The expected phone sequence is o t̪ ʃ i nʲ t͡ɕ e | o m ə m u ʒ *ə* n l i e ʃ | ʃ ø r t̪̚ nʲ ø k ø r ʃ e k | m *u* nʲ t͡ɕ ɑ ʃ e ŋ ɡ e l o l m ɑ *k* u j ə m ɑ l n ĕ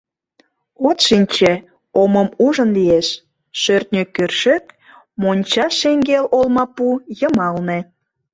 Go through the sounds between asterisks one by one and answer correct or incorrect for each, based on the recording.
correct, incorrect: o, incorrect: p

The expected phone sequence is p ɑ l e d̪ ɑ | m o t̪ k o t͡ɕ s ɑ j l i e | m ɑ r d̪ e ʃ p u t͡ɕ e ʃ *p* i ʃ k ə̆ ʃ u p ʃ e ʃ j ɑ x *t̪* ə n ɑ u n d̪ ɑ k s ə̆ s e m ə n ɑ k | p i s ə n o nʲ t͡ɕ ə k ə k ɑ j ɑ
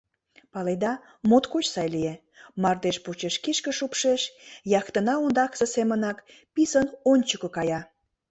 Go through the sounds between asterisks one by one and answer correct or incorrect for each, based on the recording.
incorrect: k, correct

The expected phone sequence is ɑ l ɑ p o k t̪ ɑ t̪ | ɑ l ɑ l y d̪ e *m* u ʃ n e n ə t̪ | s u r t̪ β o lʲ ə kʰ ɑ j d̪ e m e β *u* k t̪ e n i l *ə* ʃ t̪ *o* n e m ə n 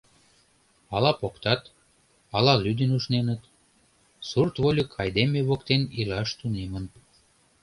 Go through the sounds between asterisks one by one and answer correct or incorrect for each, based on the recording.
incorrect: n, incorrect: o, incorrect: ɑ, incorrect: u

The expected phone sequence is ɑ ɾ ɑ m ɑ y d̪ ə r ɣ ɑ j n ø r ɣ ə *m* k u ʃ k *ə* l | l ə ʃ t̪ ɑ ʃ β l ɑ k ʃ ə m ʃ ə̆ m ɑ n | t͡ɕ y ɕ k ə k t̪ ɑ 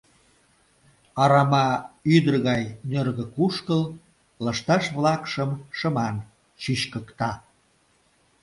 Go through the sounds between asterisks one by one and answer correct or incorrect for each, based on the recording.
incorrect: none, correct

